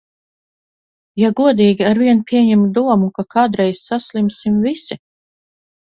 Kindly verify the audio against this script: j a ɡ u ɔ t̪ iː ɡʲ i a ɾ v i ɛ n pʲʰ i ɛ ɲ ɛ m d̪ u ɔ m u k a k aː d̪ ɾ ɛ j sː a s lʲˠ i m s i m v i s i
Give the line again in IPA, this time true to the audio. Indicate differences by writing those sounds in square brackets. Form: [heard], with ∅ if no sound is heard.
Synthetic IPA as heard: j a ɡ u ɔ [d̪] iː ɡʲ i a ɾ v i ɛ n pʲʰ i ɛ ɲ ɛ m d̪ u ɔ m u k a k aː d̪ ɾ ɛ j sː a s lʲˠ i m s i m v i s i